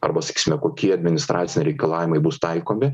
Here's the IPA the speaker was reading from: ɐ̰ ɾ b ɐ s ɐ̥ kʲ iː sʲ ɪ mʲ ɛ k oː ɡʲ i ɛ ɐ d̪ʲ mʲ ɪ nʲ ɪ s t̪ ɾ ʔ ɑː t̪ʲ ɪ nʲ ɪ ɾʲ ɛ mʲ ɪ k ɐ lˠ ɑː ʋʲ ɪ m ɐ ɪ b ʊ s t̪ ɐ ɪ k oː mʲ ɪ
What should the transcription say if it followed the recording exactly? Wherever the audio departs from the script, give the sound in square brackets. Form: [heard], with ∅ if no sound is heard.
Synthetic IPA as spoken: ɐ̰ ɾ b ɐ s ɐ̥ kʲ iː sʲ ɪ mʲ ɛ k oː [kʲ] i ɛ ɐ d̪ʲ mʲ ɪ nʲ ɪ s t̪ ɾ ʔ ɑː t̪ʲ ɪ nʲ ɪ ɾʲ ɛ [∅] ɪ k ɐ lˠ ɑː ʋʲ ɪ m ɐ ɪ b ʊ s t̪ ɐ ɪ k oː mʲ ɪ